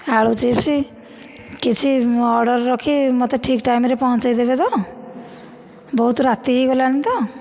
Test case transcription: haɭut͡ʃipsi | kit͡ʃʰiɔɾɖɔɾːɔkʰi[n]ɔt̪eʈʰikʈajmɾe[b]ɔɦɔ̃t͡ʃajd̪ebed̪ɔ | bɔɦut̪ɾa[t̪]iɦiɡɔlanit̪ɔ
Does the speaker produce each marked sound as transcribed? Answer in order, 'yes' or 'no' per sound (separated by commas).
no, no, yes